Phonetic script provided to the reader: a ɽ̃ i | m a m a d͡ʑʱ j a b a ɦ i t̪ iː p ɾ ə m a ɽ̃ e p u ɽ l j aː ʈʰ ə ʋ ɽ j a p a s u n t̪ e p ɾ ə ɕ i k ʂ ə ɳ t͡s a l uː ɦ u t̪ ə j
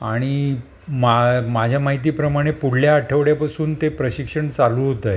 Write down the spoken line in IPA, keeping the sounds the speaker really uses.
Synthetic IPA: a ɽ̃ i | m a m a d͡ʑʱ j a m a ɦ i t̪ iː p ɾ ə m a ɽ̃ e p u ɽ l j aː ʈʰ ə ʋ ɽ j a p a s uː n t̪ e p ɾ ə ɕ i k ʂ ə ɳ t͡s a l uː ɦ o t̪ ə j